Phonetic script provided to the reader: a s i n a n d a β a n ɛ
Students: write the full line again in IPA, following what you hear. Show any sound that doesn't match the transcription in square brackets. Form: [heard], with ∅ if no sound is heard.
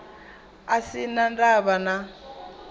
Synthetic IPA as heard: a s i n a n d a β a n [a]